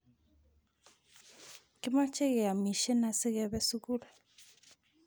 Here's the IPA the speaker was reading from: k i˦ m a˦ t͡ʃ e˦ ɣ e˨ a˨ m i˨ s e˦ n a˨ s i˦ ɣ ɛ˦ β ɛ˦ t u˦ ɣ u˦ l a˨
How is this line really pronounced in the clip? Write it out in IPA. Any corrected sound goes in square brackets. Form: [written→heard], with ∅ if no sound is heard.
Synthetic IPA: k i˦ m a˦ t͡ʃ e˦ ɣ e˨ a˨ m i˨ [s→ʃ] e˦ n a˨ s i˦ ɣ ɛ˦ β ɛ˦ [t→s] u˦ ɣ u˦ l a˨